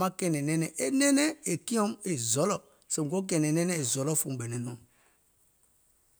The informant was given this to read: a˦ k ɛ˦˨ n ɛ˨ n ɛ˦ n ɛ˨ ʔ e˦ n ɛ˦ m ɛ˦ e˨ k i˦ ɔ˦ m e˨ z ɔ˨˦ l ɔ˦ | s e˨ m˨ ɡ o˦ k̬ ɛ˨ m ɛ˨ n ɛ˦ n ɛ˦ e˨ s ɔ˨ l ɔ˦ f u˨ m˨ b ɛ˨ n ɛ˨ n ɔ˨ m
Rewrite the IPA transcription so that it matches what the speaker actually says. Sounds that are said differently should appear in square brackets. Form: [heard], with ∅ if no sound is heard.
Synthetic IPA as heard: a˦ k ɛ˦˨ n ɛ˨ n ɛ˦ n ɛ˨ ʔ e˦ n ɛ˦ [n] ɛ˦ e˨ k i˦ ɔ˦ m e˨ z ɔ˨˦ l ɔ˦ | s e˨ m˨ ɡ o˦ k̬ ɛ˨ [n] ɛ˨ n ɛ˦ n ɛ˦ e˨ [z] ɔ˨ l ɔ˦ f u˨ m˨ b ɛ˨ n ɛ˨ n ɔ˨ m